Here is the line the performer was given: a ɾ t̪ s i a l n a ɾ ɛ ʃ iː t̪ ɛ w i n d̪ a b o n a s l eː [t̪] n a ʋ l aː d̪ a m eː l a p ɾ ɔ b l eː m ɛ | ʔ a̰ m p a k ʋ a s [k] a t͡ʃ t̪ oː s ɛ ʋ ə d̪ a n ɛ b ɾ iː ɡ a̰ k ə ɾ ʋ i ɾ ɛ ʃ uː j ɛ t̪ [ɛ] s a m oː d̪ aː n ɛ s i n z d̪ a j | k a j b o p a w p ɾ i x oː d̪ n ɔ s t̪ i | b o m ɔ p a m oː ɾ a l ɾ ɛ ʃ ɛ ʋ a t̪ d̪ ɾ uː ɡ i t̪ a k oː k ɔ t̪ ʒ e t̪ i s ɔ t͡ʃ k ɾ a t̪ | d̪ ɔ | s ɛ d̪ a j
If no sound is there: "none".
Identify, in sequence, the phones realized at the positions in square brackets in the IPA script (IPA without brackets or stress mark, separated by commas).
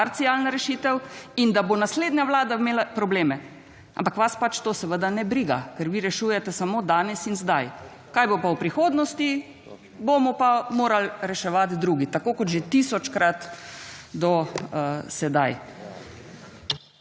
d̪, p, ɛ